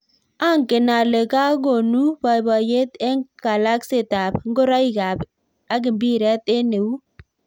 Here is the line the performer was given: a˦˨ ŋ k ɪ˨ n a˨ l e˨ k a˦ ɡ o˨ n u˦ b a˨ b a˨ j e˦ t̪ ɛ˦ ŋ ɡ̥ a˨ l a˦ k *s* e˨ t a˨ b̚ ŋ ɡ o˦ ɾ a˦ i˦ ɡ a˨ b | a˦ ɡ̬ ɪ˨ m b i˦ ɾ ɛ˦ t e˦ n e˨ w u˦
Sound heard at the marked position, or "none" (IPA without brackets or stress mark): s